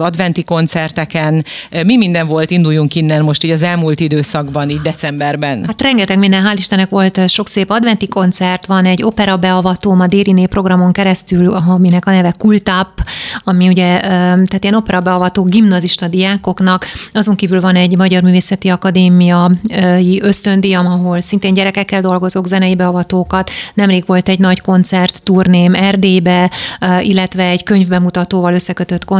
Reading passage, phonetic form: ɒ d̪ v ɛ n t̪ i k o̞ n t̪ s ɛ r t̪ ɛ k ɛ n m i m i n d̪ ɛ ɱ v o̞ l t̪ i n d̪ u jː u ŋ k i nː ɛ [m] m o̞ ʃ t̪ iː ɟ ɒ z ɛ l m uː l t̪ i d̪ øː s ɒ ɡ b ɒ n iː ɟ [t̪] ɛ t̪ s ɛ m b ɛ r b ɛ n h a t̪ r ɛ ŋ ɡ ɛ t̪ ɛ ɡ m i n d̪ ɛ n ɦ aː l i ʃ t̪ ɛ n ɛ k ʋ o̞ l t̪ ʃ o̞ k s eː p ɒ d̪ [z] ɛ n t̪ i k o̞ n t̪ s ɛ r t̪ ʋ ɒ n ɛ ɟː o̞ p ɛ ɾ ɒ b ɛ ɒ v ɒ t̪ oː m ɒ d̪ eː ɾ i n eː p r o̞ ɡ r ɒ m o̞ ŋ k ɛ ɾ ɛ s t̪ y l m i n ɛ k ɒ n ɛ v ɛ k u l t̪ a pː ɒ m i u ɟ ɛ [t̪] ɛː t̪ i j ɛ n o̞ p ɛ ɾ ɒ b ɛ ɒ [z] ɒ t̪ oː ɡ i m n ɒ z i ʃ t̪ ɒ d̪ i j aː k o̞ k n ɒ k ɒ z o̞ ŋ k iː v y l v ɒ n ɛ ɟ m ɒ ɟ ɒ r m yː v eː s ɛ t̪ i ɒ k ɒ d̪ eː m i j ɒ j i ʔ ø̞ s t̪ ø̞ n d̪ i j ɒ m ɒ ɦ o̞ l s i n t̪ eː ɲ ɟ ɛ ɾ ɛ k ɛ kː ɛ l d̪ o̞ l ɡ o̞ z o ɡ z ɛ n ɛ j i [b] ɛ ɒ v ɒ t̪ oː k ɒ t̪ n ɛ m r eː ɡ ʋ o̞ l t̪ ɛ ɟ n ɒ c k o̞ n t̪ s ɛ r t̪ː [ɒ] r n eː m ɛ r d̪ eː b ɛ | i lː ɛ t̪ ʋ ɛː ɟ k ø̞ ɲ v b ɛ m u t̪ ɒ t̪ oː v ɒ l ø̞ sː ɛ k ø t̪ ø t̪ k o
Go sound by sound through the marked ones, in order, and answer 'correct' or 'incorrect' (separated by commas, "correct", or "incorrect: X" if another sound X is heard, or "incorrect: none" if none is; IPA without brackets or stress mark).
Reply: incorrect: n, incorrect: d̪, incorrect: v, correct, incorrect: v, correct, incorrect: u